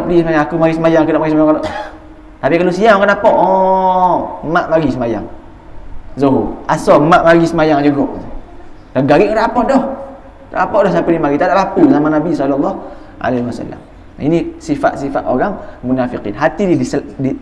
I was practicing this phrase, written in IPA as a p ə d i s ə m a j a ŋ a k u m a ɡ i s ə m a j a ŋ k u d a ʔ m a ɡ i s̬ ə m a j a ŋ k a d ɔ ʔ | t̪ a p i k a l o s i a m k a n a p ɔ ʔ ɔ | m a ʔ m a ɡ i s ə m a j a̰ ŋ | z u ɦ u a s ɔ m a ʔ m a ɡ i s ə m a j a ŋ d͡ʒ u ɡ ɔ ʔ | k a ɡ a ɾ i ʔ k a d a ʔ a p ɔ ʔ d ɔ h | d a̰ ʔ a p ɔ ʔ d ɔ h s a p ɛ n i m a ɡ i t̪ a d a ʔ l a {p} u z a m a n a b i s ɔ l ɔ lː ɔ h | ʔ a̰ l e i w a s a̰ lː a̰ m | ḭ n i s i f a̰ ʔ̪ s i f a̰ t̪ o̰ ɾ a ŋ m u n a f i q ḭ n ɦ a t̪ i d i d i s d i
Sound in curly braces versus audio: correct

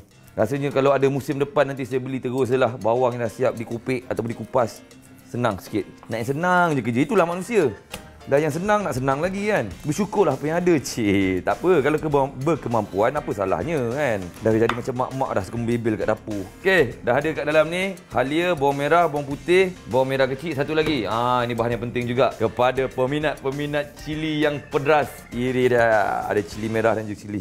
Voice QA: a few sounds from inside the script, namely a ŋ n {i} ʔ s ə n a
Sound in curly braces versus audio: incorrect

